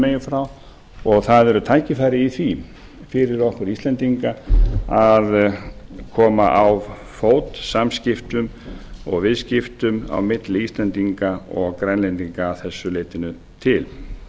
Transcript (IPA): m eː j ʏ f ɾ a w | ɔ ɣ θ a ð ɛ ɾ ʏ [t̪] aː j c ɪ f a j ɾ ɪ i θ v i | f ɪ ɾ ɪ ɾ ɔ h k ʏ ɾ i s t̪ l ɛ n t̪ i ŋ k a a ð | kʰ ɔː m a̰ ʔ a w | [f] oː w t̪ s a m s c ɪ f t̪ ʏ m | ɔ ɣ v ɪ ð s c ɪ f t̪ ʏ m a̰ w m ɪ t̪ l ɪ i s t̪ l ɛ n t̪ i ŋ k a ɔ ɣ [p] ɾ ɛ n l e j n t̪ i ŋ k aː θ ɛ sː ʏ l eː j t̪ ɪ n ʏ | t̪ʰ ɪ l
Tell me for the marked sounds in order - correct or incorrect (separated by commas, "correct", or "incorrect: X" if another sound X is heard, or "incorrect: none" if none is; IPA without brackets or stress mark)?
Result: incorrect: t̪ʰ, correct, incorrect: k